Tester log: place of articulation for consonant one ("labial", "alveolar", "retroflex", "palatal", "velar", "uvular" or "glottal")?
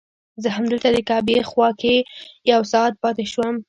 alveolar